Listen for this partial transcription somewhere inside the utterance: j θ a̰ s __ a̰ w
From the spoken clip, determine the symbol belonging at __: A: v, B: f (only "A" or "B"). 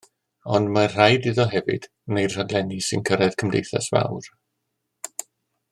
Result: A